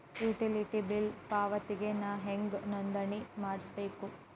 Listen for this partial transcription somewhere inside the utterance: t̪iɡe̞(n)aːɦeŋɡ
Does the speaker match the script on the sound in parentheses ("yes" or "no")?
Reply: yes